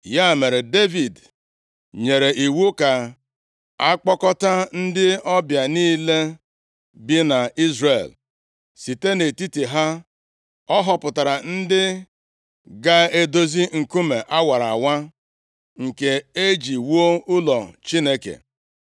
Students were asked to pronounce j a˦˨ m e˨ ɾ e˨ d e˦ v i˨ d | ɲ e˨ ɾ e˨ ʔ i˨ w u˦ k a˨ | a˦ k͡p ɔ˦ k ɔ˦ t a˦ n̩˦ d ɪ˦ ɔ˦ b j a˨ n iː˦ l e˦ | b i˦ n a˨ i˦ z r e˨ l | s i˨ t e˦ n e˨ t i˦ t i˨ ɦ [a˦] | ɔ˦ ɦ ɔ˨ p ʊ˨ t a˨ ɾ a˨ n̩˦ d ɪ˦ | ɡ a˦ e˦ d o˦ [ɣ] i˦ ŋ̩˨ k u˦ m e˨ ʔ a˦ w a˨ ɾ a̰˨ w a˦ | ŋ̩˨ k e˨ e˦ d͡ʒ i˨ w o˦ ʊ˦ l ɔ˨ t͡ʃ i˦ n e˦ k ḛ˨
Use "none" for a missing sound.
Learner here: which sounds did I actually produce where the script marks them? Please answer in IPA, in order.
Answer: a˦, z

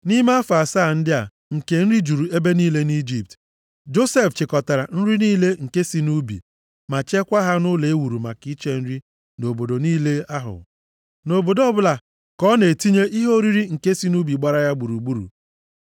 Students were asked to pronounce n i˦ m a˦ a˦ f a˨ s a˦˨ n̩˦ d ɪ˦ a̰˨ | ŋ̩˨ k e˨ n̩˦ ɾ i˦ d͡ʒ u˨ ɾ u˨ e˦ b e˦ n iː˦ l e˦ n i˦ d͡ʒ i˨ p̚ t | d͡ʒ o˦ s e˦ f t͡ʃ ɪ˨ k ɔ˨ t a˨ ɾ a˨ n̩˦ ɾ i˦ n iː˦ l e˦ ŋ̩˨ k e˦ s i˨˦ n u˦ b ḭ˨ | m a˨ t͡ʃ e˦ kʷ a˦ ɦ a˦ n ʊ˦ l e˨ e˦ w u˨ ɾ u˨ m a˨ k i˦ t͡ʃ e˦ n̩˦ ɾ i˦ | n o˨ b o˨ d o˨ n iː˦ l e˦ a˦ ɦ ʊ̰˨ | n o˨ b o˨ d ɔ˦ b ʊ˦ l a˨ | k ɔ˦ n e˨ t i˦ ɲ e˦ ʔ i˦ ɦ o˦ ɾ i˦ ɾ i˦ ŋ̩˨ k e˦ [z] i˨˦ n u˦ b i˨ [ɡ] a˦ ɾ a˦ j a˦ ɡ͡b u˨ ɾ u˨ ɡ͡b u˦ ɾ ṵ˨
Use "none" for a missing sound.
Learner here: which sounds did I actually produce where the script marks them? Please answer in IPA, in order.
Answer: s, ɡ͡b

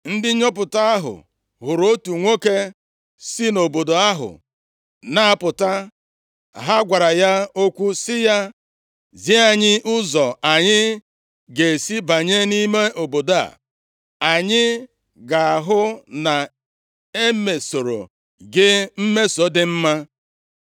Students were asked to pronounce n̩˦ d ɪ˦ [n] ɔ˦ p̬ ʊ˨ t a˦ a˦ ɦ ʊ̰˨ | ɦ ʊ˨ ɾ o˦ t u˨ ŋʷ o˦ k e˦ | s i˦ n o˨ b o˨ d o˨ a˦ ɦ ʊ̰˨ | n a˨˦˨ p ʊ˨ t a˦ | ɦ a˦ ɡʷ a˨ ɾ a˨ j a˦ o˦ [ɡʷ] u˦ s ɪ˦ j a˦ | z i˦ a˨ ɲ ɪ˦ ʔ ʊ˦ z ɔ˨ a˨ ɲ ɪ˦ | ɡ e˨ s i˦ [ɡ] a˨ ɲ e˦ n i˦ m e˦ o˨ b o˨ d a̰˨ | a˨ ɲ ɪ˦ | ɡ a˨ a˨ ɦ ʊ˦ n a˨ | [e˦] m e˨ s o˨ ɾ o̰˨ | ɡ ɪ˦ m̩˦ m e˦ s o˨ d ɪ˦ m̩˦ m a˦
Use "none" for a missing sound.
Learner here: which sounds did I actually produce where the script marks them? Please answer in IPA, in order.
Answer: ɲ, kʷ, b, e˦

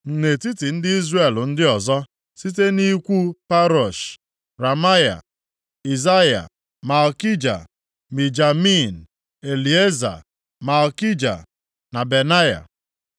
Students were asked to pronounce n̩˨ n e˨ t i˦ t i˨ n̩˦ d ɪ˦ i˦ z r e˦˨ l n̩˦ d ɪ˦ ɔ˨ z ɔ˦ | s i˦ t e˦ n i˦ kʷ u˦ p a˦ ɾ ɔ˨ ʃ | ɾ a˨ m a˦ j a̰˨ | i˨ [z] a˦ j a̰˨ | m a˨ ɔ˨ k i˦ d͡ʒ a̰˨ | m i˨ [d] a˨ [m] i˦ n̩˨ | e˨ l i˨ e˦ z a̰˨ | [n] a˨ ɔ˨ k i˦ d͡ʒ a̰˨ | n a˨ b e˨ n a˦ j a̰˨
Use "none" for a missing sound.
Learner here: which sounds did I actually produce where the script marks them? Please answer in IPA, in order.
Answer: z, d͡ʒ, m, m

